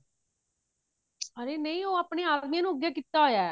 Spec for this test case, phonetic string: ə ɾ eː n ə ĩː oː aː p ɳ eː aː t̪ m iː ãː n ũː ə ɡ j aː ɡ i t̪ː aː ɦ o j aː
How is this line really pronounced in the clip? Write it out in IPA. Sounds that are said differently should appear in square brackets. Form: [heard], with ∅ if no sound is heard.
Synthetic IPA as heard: ə ɾ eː n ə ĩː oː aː p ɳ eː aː [d̪] m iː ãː n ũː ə ɡ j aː [k] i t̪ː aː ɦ o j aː